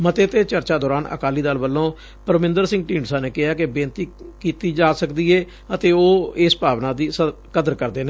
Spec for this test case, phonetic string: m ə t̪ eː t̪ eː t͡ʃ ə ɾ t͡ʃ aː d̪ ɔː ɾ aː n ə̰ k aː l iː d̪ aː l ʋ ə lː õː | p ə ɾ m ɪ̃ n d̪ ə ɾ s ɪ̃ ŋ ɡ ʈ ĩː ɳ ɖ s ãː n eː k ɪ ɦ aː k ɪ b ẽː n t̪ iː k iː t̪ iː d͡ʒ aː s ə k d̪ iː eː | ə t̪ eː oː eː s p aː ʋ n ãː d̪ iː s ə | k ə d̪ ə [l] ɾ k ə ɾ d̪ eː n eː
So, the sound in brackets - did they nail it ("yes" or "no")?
no